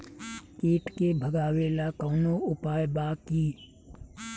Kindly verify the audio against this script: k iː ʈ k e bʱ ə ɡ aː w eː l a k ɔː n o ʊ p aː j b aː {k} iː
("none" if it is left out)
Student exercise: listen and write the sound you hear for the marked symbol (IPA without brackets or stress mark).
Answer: k